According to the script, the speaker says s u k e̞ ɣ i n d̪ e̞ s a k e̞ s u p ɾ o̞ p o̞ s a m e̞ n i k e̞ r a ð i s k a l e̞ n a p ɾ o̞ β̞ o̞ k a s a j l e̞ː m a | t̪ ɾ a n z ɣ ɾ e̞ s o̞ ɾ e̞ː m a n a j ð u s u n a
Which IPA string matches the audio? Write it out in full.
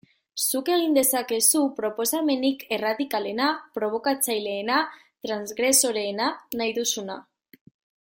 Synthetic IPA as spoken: s u k e̞ ɣ i n d̪ e̞ s a k e̞ s u p ɾ o̞ p o̞ s a m e̞ n i k e̞ r a ð i k a l e̞ n a p ɾ o̞ β̞ o̞ k a t͡s a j l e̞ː n a | t̪ ɾ a n z ɣ ɾ e̞ s o̞ ɾ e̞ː n a n a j ð u s u n a